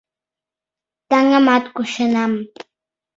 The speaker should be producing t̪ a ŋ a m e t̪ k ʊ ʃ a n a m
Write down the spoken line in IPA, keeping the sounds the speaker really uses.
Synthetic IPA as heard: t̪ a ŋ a m a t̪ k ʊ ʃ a n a m